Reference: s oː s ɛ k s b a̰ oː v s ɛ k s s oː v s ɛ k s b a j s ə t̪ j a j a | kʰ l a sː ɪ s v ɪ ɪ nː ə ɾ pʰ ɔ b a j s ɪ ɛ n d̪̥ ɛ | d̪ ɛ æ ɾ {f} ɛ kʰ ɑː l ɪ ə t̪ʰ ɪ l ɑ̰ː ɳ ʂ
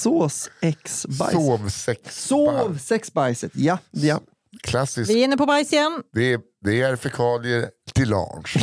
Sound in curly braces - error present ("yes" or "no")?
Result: no